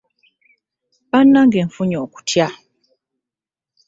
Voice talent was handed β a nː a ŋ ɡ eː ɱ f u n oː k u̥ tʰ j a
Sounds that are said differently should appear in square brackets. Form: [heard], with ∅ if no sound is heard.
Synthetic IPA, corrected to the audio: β a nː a ŋ ɡ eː ɱ f u [ɲ] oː k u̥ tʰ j a